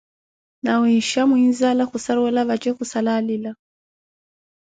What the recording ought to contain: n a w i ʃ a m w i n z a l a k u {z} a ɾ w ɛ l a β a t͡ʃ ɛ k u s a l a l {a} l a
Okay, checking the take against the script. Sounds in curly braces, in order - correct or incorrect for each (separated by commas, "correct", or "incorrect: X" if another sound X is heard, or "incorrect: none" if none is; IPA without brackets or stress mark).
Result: incorrect: s, incorrect: i